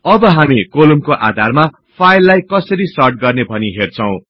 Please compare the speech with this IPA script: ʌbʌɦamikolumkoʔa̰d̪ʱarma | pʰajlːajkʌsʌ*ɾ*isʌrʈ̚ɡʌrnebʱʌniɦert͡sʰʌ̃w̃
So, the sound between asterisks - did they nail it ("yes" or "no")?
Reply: yes